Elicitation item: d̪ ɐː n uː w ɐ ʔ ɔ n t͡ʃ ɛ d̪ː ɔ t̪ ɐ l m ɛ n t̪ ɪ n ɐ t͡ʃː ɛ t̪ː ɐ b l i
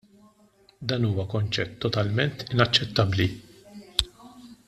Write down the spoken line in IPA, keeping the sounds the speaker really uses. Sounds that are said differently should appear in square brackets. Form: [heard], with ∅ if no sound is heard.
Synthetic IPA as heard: d̪ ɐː n uː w ɐ [k] ɔ n t͡ʃ ɛ [t̪ː] ɔ t̪ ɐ l m ɛ n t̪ ɪ n ɐ t͡ʃː ɛ t̪ː ɐ b l i